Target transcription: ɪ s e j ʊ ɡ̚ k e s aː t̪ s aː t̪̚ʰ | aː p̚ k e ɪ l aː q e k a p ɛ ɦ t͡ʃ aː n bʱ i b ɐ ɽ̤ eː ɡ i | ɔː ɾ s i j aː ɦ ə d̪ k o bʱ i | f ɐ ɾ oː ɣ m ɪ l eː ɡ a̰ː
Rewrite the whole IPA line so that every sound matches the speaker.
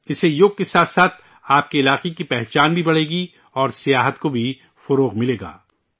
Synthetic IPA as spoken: ɪ s e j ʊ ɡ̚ k e s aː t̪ s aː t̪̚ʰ | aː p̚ k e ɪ l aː q e k i p ɛ ɦ t͡ʃ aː n bʱ i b ɐ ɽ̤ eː ɡ i | ɔː ɾ s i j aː ɦ ə t̪ k o bʱ i | f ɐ ɾ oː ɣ m ɪ l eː ɡ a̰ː